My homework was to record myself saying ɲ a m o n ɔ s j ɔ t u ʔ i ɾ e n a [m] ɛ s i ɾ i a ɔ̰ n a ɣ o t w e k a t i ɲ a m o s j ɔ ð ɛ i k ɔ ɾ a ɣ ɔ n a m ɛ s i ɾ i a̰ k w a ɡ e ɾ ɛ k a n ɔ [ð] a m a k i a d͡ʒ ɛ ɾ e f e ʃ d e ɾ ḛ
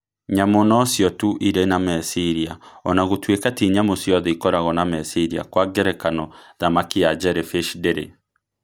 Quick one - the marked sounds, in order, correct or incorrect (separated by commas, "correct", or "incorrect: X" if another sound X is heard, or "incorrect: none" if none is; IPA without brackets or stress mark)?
correct, correct